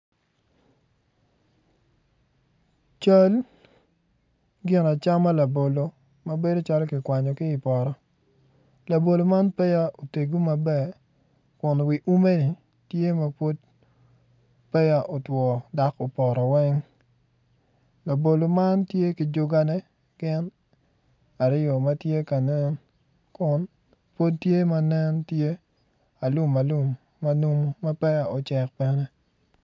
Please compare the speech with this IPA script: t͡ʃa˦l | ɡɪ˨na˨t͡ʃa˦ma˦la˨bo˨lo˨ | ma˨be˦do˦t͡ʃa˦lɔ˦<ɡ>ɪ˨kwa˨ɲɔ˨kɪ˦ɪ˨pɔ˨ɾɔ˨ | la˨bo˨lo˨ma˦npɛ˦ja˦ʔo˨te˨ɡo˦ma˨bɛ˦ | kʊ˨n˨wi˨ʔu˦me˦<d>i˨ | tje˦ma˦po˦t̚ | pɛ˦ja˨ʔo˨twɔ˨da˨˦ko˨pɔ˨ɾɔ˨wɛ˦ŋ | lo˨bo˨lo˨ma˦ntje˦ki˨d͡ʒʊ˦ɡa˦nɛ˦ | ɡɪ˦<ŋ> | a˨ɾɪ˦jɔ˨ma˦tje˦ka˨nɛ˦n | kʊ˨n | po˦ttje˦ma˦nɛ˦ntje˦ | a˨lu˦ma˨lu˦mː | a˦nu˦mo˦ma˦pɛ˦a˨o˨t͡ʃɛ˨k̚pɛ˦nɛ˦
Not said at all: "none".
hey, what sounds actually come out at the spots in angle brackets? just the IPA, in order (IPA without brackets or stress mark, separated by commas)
k, n, n